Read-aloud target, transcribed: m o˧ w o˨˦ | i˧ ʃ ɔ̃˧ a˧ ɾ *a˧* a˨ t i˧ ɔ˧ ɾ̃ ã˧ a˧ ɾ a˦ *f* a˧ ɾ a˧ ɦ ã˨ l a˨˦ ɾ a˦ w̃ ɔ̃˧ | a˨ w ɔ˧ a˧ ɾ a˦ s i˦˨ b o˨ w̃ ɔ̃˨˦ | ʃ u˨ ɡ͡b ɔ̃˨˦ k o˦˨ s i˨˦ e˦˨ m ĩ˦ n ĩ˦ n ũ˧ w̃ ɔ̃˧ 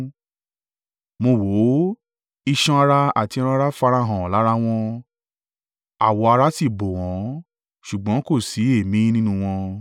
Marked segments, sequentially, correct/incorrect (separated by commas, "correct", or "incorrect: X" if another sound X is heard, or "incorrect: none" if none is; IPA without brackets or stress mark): correct, correct